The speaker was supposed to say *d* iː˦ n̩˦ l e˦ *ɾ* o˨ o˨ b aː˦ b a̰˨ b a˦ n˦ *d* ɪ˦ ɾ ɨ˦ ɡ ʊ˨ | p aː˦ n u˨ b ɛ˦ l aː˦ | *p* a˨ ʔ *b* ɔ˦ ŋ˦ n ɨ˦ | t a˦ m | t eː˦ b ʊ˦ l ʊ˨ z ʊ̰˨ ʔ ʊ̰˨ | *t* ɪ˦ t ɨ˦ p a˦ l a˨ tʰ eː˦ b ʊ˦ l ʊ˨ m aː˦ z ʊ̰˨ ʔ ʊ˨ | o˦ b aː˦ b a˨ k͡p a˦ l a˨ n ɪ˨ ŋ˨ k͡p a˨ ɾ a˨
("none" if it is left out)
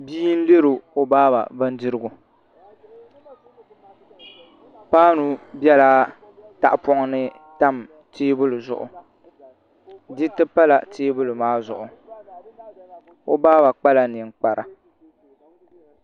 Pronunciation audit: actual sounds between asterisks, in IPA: b, ɾ, d, t, p, d

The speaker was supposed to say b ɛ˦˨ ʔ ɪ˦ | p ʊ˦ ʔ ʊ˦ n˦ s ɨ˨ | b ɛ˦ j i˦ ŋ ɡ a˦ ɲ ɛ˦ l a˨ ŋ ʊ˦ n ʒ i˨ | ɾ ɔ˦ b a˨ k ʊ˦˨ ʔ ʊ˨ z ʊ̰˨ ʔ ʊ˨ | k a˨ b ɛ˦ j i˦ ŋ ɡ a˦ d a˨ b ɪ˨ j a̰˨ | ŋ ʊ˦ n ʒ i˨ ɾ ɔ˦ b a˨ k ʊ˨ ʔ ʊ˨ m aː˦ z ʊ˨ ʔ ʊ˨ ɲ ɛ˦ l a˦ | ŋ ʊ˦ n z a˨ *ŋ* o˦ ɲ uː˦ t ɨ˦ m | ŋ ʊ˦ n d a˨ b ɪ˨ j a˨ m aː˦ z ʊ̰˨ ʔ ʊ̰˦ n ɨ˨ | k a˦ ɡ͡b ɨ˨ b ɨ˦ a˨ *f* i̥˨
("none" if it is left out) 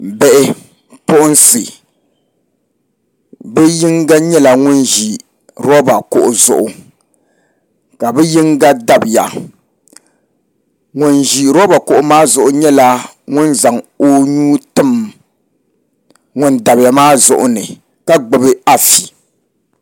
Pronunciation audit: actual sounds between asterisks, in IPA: ŋ, f

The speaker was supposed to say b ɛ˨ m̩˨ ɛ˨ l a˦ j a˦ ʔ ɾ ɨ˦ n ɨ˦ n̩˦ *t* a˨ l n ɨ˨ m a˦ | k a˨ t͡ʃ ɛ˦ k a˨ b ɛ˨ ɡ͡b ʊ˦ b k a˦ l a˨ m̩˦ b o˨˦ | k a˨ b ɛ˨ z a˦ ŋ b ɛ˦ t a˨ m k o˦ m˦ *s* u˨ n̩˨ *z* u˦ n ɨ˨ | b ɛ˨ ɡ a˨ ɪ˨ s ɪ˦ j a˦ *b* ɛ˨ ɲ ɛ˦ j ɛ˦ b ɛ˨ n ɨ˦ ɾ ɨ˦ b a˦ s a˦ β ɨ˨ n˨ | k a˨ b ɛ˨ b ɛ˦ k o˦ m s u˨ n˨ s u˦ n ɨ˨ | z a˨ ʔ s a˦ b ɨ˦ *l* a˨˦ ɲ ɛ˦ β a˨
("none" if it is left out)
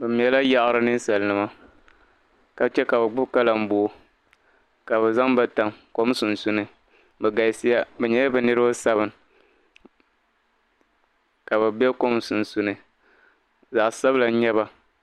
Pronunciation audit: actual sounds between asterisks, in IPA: s, s, s, b, l

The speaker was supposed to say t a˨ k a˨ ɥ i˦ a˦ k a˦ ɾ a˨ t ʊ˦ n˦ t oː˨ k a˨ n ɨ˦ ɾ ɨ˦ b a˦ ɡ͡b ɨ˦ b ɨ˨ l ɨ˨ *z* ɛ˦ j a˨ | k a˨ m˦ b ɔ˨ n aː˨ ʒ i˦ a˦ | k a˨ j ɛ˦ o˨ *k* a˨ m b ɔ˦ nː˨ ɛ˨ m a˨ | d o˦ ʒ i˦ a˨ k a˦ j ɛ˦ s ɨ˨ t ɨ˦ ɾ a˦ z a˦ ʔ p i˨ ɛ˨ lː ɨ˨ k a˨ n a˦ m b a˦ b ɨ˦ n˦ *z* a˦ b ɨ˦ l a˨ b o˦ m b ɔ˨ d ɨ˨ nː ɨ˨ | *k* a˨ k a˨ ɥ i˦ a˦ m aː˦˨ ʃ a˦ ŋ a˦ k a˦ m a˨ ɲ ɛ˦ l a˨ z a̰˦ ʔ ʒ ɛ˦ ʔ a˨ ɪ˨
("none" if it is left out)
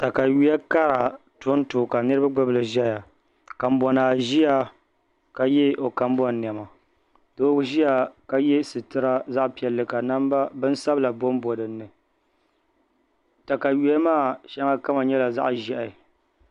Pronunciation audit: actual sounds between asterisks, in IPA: ʒ, k, s, t

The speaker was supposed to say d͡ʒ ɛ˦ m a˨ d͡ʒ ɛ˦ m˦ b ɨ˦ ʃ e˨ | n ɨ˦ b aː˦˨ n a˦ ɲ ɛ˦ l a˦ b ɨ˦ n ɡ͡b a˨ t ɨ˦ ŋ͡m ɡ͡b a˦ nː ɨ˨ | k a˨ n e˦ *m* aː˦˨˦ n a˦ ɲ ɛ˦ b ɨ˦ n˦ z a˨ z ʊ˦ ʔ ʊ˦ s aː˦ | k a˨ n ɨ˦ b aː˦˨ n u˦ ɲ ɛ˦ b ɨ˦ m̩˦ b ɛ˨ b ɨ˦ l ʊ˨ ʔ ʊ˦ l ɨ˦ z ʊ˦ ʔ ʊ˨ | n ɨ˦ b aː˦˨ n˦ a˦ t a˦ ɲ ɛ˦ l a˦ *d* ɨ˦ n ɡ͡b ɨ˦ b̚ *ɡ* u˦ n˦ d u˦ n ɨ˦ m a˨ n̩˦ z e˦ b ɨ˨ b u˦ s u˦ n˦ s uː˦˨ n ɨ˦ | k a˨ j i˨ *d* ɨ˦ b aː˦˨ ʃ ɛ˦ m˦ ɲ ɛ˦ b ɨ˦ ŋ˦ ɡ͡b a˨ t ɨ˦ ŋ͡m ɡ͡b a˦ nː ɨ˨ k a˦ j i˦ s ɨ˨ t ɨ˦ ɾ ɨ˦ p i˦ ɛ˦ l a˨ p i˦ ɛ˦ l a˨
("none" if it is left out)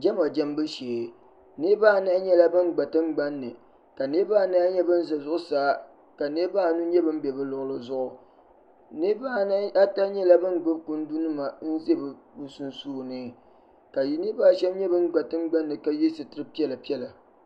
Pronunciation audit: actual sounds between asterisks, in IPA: b, b, k, n

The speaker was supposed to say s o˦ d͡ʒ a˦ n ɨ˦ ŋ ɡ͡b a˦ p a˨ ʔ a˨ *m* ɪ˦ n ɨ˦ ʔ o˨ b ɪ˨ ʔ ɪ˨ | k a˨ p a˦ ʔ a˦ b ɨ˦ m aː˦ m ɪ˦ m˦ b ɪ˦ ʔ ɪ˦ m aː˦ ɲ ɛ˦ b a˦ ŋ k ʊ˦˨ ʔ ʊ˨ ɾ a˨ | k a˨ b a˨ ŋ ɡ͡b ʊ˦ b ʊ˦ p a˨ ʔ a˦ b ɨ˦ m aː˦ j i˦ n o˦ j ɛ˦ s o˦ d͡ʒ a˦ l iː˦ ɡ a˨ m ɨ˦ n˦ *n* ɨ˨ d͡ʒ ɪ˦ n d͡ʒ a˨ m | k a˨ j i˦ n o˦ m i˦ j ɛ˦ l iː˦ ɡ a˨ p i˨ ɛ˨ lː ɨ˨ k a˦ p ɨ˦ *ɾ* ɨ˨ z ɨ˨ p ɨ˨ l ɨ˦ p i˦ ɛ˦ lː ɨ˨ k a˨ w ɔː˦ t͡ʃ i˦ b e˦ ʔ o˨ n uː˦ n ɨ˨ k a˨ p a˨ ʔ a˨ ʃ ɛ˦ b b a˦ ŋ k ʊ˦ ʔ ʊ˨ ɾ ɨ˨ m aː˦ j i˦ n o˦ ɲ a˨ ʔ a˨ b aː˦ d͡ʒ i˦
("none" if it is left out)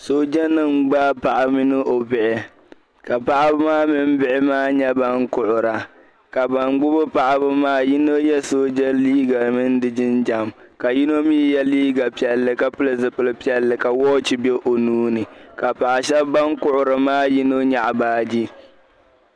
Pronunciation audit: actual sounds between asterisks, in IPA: m, d, l

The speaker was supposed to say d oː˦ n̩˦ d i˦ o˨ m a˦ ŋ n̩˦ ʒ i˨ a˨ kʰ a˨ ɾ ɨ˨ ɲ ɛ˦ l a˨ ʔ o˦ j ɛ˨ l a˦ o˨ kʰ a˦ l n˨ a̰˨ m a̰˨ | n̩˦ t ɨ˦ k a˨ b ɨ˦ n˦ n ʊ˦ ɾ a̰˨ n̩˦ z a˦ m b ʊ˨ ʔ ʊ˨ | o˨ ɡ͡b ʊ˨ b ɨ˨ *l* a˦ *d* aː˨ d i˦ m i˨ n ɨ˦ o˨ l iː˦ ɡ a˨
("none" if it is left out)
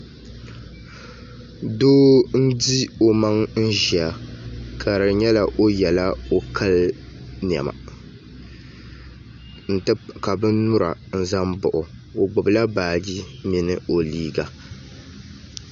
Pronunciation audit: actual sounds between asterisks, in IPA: l, b

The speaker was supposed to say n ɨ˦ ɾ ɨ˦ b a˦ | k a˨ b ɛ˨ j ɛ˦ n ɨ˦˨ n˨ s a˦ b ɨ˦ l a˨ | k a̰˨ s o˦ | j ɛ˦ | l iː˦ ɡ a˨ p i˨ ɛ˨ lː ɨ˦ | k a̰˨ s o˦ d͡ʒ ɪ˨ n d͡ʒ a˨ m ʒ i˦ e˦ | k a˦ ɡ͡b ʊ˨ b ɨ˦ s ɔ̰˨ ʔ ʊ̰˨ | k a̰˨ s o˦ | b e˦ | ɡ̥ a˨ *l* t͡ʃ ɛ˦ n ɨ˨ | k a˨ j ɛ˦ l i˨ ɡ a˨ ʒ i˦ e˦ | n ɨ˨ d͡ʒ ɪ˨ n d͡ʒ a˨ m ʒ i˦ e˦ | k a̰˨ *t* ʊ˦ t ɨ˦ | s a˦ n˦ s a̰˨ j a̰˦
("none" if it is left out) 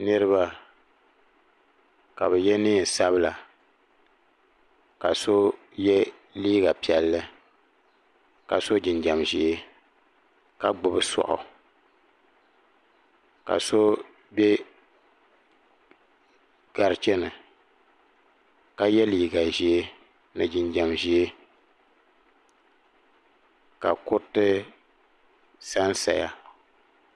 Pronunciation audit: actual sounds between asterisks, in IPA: ɾ, k

